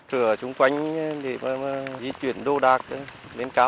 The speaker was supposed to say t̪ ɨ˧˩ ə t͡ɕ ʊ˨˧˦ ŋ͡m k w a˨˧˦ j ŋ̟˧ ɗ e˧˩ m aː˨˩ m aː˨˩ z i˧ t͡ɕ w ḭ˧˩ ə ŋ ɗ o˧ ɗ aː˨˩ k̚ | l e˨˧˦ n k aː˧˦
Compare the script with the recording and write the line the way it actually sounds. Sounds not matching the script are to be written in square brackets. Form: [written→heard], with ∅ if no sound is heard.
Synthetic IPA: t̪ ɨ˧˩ ə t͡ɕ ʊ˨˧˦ ŋ͡m k w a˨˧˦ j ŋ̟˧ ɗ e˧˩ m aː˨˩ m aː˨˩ z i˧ t͡ɕ w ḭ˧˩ ə [ŋ→n] ɗ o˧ ɗ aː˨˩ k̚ | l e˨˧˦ n k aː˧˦